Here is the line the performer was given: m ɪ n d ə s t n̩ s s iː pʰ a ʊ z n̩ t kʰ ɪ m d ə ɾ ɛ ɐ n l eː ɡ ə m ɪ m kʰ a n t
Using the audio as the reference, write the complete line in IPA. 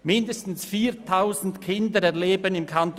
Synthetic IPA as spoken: m ɪ n d ə s t n̩ s f iː tʰ a ʊ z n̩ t kʰ ɪ n d ə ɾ ɛ ɐ l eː b ə n ɪ m kʰ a n t